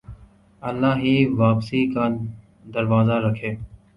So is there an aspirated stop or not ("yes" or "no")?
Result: yes